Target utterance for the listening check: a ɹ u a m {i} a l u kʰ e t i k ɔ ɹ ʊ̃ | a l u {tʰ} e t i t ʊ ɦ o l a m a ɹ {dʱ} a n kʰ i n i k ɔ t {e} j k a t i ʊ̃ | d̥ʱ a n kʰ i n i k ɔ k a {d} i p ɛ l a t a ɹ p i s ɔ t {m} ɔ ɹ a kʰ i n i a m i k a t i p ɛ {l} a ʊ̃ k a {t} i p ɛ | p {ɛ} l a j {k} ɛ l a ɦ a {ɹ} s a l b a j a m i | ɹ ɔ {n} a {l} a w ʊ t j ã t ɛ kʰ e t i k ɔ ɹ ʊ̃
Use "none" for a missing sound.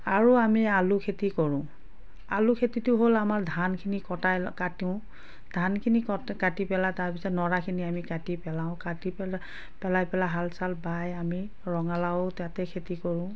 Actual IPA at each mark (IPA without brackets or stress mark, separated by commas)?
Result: i, kʰ, dʱ, a, t, n, l, t, ɛ, p, l, ŋ, l